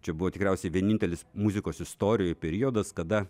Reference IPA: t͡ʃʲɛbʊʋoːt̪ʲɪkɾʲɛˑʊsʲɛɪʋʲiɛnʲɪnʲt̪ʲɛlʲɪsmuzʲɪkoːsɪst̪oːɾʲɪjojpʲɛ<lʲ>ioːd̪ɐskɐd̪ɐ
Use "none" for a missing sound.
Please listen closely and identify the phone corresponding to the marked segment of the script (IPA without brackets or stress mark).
ɾʲ